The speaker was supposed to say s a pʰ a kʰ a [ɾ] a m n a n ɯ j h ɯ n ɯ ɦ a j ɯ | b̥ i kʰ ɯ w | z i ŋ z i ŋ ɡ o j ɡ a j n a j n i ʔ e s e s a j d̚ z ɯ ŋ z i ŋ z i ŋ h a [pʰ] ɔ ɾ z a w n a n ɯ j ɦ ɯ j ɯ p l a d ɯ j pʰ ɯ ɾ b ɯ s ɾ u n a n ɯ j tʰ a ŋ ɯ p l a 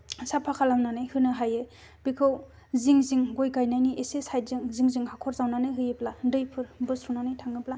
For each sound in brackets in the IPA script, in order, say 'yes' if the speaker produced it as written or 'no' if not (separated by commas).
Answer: no, no